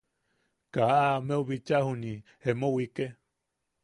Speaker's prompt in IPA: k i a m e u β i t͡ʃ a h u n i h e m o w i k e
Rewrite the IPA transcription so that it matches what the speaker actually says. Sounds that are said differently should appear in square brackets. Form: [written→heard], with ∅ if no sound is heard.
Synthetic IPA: k [i→a] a m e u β i t͡ʃ a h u n i h e m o w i k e

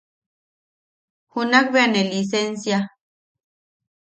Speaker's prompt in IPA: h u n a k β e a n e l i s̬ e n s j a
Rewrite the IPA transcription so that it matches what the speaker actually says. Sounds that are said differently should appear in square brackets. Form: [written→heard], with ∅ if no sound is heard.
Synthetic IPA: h u n a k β e a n e l i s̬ e n s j a

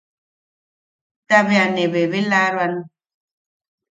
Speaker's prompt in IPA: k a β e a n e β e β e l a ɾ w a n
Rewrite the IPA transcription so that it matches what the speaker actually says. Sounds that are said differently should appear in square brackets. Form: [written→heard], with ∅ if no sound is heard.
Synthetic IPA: [k→t] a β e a n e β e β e l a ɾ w a n

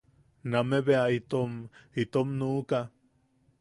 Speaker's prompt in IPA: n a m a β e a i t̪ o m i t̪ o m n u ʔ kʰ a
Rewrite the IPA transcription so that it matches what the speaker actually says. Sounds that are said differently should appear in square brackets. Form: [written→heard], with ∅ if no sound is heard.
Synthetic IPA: n a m [a→e] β e a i t̪ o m i t̪ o m n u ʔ [kʰ→k] a

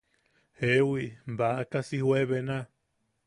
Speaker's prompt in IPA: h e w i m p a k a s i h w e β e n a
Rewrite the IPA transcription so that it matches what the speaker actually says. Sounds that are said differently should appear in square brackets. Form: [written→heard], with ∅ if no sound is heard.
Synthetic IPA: h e w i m [p→b] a k a s i h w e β e n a

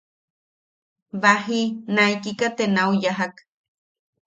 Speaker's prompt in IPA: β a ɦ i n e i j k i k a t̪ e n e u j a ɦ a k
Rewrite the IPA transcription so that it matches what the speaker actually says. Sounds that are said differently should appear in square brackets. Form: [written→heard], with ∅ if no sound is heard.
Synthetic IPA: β a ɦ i n [e→a] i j k i k a t̪ e n [e→a] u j a ɦ a k

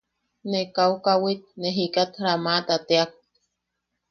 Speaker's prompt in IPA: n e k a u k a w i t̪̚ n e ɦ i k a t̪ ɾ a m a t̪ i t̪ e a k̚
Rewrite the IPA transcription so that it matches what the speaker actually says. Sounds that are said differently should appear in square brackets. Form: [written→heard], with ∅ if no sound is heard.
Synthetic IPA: n e k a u k a w i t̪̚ n e ɦ i k a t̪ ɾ a m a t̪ [i→a] t̪ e a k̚

